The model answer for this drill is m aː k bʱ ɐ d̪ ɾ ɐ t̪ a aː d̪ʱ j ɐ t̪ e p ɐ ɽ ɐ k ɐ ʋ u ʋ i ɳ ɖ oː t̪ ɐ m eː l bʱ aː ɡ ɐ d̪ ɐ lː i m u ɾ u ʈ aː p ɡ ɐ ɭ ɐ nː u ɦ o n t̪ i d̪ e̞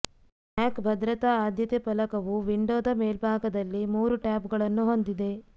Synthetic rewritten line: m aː k bʱ ɐ d̪ ɾ ɐ t̪ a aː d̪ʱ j ɐ t̪ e p ɐ l ɐ k ɐ ʋ u ʋ i ɳ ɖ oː d̪ ɐ m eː l bʱ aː ɡ ɐ d̪ ɐ lː i m uː ɾ u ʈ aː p ɡ ɐ ɭ ɐ nː u ɦ o n d̪ i d̪ e̞